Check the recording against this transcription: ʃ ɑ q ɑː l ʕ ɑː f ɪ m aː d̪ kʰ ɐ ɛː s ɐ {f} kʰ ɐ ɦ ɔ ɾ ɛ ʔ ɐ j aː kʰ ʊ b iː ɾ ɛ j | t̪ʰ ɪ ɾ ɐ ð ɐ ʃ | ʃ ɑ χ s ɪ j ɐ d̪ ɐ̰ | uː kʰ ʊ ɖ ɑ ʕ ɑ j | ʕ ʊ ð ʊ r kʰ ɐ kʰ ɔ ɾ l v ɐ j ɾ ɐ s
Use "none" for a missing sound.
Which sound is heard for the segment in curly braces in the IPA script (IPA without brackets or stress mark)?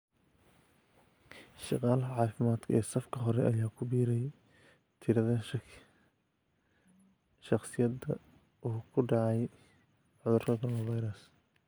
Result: f